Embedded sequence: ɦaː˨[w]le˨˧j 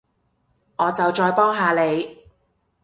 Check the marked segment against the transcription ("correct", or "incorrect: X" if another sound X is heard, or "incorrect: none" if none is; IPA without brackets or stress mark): incorrect: none